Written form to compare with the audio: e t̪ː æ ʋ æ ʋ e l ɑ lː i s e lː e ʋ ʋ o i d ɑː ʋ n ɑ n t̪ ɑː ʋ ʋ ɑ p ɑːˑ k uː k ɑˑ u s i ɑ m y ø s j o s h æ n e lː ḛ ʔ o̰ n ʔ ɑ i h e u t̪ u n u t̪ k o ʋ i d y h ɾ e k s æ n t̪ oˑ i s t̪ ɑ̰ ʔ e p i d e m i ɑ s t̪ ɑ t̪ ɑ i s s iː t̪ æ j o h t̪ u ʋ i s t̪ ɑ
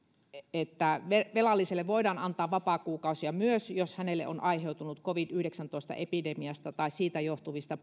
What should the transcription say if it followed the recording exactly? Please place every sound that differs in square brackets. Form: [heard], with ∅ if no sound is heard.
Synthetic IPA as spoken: e t̪ː æ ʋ [e] ʋ e l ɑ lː i s e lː e ʋ ʋ o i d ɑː [∅] n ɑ n t̪ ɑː ʋ ʋ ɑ p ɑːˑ k uː k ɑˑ u s i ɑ m y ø s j o s h æ n e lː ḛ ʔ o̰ n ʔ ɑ i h e u t̪ u n u t̪ k o ʋ i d y h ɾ e k s æ n t̪ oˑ i s t̪ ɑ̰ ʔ e p i d e m i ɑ s t̪ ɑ t̪ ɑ i s s iː t̪ æ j o h t̪ u ʋ i s t̪ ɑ